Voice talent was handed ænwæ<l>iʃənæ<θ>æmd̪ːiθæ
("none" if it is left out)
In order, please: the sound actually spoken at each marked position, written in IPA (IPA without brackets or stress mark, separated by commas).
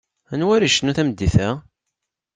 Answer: ɾ, θ